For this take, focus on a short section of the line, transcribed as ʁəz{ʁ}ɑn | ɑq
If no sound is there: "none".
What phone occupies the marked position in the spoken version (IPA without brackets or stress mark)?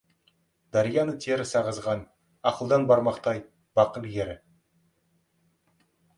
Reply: ʁ